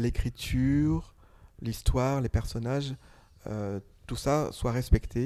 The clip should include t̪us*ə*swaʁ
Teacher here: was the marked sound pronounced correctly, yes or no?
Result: no